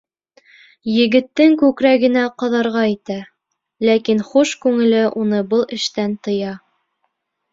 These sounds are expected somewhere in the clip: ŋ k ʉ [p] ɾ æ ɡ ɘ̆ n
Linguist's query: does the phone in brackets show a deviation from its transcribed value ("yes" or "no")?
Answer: yes